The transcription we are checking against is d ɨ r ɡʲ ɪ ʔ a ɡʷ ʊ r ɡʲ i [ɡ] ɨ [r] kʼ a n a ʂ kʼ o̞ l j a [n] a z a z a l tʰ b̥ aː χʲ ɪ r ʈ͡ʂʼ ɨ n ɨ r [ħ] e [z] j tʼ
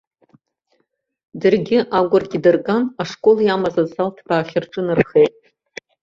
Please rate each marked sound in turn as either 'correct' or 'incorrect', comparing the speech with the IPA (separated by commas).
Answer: incorrect, correct, incorrect, incorrect, incorrect